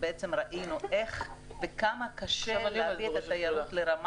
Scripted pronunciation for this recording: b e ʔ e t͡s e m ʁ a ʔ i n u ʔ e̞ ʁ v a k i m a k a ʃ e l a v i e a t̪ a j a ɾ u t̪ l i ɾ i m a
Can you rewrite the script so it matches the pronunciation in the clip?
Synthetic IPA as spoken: b e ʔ e t͡s e m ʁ a ʔ i n u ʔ e̞ χ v e k a m a k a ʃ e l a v i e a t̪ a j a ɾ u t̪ l e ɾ a m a